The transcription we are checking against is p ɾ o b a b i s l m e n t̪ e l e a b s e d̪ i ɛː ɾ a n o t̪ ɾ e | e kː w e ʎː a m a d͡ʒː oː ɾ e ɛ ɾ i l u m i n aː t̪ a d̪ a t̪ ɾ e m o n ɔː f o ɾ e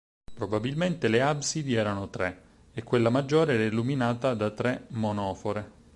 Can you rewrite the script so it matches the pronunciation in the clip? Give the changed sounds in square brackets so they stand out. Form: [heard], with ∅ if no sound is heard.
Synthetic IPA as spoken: p ɾ o b a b i [∅] l m e n t̪ e l e a b s [i] d̪ i ɛː ɾ a n o t̪ ɾ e | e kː w e [lː] a m a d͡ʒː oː ɾ e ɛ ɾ i l u m i n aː t̪ a d̪ a t̪ ɾ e m o n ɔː f o ɾ e